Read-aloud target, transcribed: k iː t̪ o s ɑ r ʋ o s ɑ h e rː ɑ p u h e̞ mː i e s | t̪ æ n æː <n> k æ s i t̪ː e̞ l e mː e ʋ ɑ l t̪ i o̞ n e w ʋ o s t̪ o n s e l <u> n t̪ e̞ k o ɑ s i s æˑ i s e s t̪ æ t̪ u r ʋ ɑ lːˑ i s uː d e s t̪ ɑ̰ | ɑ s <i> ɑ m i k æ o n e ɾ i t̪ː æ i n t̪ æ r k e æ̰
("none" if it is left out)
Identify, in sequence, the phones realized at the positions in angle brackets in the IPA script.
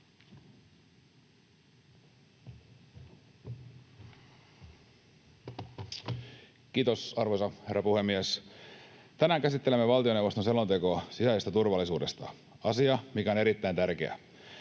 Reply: ŋ, o, i

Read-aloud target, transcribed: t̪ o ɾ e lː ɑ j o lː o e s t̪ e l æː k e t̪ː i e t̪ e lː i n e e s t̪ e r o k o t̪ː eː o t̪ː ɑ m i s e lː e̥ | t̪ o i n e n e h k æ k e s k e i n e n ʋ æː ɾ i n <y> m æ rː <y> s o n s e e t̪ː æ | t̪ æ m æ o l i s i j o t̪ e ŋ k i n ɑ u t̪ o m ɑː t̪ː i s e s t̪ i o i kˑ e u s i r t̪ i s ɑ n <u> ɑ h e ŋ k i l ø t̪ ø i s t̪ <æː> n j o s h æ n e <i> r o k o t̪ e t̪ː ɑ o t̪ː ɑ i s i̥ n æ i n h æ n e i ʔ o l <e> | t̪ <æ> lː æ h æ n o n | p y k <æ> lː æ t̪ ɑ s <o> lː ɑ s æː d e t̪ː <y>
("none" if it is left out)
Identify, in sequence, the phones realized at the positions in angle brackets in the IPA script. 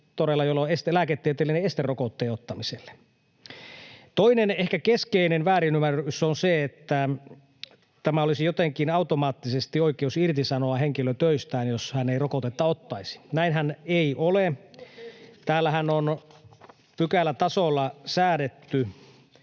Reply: y, y, o, æː, i, e, æː, æ, o, y

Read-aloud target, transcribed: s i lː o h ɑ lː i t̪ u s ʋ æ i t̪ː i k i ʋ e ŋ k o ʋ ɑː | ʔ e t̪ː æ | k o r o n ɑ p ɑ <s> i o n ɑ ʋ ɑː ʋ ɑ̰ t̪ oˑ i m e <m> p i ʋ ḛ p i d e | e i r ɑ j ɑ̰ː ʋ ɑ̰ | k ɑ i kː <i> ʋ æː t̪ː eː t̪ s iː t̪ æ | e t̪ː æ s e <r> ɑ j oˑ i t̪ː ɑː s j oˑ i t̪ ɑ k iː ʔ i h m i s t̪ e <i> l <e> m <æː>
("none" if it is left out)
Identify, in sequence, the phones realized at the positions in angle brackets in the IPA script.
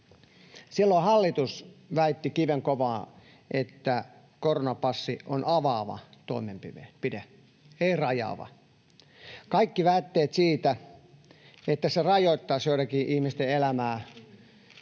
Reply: sː, m, i, r, e, æ, æː

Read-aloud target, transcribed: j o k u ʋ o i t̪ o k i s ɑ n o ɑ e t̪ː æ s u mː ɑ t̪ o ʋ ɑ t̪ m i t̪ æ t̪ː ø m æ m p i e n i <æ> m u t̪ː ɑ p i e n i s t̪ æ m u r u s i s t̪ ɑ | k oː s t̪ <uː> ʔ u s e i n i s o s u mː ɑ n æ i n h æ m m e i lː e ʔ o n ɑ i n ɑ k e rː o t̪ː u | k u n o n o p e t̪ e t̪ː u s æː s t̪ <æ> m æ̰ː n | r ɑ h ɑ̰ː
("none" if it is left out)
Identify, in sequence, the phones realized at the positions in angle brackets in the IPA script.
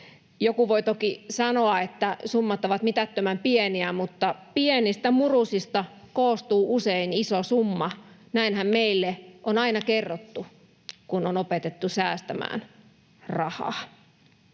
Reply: æ, uː, æ

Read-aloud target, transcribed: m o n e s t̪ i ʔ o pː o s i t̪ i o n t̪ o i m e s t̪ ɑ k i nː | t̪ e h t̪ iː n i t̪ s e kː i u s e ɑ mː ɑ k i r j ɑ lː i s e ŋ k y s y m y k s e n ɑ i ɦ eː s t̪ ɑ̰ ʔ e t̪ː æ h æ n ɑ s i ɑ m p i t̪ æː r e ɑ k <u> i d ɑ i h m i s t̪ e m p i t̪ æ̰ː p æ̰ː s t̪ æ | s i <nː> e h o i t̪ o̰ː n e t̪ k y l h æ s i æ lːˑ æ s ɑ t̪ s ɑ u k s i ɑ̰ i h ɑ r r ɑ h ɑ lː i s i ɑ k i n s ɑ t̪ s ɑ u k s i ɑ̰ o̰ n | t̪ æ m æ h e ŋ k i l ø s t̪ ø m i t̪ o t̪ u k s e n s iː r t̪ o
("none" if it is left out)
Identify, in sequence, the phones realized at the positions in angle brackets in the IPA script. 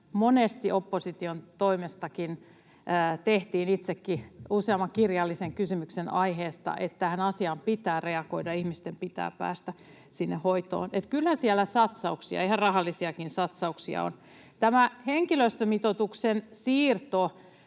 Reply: o, nː

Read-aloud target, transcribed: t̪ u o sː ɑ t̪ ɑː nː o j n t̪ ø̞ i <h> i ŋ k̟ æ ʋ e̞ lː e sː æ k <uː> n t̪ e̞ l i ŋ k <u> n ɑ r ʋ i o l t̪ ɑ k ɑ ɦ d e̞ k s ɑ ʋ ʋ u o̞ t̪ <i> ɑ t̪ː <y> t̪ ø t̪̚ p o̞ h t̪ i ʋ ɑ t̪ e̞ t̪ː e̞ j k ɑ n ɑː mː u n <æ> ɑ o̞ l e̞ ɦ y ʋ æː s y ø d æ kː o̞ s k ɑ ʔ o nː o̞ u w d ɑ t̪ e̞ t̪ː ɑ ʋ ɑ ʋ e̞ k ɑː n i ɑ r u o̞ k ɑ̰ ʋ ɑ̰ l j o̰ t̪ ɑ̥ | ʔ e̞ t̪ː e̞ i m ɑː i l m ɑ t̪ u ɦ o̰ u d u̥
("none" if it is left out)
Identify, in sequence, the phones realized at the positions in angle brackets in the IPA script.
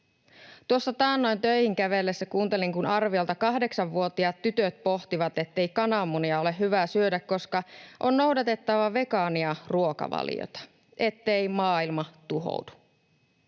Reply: h, uː, u, i, y, i

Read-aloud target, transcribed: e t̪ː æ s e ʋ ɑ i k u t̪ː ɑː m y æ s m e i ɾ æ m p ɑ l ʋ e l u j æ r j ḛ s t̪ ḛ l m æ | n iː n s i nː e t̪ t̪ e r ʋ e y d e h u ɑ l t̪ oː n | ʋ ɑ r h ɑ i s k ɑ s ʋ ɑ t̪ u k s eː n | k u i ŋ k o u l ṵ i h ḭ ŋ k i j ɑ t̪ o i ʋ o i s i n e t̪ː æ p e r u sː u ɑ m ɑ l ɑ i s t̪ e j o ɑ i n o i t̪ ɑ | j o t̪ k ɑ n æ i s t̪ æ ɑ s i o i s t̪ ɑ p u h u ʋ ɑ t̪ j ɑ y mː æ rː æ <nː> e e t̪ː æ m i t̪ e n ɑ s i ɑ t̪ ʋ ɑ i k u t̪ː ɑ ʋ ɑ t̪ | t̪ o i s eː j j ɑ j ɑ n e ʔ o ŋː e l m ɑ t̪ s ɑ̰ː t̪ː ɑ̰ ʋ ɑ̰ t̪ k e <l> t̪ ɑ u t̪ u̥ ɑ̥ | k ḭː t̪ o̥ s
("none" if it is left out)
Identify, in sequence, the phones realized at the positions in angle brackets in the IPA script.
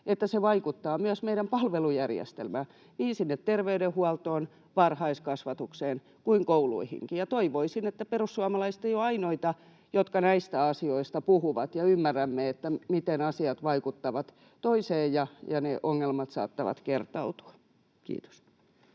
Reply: mː, r

